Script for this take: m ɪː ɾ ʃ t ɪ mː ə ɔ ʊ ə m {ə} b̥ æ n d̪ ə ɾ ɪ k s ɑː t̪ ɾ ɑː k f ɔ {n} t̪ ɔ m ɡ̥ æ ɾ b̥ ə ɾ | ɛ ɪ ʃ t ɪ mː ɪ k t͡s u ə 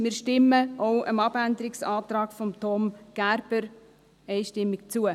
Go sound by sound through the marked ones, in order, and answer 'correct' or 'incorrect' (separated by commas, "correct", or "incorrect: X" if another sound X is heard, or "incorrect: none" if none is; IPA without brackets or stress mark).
incorrect: ɑ, incorrect: m